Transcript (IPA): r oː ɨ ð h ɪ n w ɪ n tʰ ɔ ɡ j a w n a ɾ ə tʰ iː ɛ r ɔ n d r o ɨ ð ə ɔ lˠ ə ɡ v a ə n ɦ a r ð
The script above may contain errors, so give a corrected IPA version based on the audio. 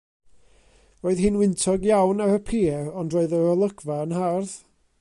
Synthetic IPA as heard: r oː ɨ ð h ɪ n w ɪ n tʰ ɔ ɡ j a w n a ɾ ə pʰ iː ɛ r ɔ n d r o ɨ ð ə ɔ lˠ ə ɡ v a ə n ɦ a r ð